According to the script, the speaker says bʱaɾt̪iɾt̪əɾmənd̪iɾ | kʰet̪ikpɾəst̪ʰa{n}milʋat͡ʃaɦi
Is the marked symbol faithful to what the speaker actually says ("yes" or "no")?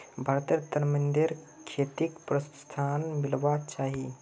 yes